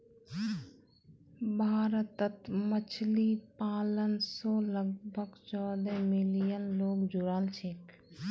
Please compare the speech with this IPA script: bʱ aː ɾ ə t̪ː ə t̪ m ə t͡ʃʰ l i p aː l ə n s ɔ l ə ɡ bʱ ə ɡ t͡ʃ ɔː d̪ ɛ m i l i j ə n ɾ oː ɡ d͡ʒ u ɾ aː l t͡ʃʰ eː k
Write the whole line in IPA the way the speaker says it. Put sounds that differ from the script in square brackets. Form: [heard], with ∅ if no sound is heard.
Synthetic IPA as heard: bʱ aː ɾ ə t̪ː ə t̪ m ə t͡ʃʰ l i p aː l ə n s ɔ l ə ɡ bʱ ə ɡ t͡ʃ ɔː d̪ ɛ m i l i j ə n [l] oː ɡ d͡ʒ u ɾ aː l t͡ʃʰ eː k